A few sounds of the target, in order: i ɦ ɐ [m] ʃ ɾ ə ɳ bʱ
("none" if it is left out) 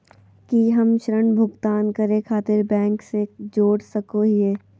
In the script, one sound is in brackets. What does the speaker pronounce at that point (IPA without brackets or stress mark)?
m